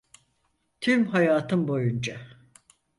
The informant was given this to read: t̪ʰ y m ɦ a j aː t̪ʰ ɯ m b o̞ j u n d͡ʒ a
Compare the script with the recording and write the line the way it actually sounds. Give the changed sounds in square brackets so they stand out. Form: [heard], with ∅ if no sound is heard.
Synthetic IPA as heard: t̪ʰ y m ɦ a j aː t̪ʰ ɯ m b o̞ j u n d͡ʒ a